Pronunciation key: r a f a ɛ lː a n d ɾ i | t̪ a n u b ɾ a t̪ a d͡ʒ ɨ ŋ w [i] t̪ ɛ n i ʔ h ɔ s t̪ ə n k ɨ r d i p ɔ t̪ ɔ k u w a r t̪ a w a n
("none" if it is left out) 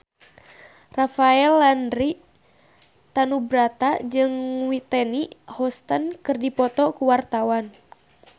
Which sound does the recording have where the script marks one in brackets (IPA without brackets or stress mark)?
i